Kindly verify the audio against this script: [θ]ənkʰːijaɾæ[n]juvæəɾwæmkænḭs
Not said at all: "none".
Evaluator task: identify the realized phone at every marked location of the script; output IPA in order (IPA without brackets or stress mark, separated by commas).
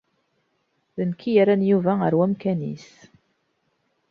ð, n